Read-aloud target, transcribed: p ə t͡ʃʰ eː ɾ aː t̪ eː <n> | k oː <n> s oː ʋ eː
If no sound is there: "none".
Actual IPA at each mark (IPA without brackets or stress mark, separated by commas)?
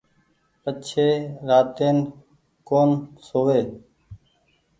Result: n, n